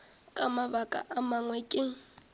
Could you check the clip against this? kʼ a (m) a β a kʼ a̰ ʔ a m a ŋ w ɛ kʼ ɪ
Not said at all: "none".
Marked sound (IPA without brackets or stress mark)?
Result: m